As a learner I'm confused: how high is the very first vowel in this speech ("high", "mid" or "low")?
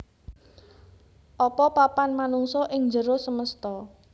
mid